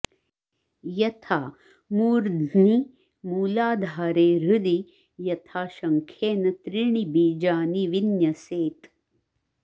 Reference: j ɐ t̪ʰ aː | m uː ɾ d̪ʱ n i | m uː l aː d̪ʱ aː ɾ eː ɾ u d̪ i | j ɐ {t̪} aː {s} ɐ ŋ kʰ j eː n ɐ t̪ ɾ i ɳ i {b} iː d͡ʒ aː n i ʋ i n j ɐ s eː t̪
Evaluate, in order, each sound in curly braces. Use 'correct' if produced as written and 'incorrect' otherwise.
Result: incorrect: t̪ʰ, incorrect: ʃ, correct

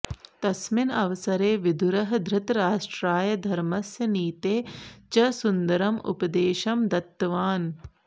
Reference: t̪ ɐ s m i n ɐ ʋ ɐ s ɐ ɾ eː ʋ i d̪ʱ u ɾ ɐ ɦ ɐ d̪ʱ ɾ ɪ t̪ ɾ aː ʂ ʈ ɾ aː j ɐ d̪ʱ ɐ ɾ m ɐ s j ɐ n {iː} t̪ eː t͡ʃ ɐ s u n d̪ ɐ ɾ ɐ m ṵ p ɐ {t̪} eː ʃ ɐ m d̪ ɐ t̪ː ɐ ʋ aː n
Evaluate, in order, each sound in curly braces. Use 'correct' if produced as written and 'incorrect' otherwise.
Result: correct, incorrect: d̪

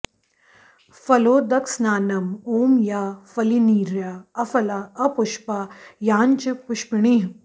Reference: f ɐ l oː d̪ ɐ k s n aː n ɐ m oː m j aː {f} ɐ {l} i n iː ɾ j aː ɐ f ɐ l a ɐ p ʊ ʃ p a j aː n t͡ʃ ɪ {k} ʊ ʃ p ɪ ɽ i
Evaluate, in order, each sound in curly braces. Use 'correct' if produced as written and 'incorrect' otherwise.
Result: correct, correct, incorrect: p

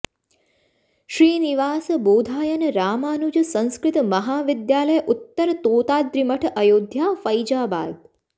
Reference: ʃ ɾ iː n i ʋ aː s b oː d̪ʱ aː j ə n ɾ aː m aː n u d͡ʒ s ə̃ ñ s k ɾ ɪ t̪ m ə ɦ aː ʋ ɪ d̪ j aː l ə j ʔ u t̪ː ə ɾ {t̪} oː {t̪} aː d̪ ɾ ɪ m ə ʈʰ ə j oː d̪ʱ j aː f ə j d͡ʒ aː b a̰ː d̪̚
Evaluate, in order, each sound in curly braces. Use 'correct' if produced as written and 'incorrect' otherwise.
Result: correct, correct

